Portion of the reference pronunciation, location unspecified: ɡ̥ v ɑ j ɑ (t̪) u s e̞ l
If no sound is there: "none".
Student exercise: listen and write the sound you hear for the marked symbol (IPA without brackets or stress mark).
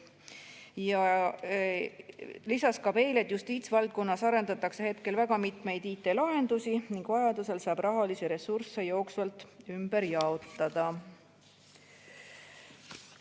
d̪